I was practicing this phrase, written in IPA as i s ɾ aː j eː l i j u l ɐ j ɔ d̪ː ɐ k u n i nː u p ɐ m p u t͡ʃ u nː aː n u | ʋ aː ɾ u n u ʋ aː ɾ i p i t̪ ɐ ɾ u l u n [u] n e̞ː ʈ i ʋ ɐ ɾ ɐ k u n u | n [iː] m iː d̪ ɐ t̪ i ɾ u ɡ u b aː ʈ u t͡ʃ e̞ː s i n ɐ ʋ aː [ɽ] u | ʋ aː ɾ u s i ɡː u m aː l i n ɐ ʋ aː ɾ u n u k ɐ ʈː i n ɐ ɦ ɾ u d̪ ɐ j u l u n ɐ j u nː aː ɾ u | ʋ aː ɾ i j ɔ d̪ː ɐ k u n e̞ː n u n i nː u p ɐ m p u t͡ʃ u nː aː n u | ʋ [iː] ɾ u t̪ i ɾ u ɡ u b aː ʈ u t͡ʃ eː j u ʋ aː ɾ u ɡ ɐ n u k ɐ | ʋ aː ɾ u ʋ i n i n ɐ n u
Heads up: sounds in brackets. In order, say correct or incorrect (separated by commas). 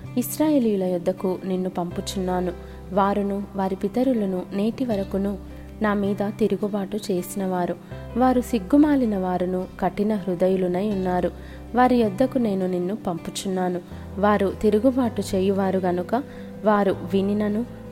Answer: correct, incorrect, incorrect, incorrect